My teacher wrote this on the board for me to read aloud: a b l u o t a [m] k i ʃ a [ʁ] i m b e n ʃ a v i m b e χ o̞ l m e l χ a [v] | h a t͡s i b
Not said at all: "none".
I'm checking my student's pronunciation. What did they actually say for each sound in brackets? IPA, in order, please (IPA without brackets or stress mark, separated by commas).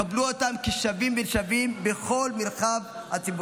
m, v, v